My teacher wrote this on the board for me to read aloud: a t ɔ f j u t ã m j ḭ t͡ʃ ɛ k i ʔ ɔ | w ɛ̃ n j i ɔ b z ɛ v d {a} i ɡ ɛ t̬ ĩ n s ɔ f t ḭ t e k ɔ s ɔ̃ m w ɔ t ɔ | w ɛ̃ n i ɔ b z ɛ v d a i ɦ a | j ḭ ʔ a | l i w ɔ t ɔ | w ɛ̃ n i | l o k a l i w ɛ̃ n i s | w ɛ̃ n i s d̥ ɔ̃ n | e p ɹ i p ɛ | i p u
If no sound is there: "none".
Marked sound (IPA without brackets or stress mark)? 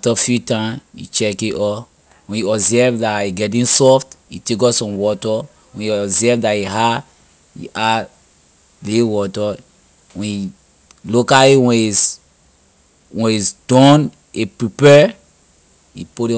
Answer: a